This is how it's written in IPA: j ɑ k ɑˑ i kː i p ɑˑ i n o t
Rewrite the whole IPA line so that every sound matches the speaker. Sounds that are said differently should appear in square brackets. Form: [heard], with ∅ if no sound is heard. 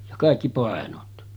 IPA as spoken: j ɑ k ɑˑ i kː i p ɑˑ [e] n o t